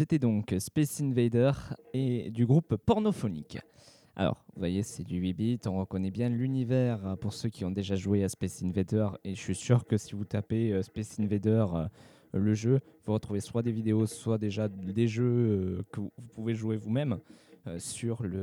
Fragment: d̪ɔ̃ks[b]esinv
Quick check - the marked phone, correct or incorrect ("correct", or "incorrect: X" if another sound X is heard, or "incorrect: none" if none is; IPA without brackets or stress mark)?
incorrect: p